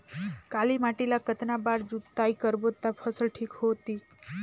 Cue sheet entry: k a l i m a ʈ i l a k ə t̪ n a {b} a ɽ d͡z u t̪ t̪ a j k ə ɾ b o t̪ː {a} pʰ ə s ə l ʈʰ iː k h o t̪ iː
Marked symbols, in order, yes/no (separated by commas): yes, yes